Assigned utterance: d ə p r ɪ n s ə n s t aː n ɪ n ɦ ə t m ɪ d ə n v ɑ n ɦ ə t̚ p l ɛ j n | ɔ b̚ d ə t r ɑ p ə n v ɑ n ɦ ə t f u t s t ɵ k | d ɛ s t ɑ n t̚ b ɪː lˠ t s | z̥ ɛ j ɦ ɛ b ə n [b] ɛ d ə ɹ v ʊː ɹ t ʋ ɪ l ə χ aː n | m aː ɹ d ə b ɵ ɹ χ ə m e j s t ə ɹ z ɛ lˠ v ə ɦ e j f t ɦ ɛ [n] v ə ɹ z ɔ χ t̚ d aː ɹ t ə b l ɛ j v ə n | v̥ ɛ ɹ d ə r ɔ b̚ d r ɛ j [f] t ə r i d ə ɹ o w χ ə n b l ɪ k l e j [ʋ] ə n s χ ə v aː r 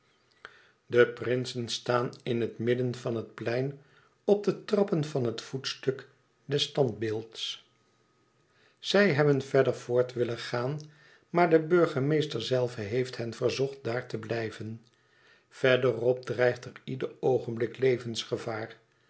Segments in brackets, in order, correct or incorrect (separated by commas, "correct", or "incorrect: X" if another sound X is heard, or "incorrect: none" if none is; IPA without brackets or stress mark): incorrect: v, correct, incorrect: χ, incorrect: v